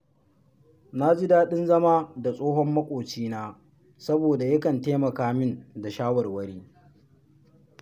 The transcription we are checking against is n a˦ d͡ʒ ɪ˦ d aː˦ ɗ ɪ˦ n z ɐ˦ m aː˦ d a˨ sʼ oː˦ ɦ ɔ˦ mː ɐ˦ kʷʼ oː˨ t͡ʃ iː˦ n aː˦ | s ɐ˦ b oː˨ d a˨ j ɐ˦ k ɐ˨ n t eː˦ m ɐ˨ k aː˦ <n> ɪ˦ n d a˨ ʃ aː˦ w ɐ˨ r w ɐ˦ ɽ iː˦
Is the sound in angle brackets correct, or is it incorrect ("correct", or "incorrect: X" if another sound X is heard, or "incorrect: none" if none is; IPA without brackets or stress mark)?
incorrect: m